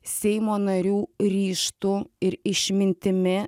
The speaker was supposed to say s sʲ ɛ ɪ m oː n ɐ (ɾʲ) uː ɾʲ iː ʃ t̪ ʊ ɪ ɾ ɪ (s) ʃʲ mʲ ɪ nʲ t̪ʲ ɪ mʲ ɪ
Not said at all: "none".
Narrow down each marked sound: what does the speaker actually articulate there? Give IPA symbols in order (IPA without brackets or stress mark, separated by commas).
ɾʲ, none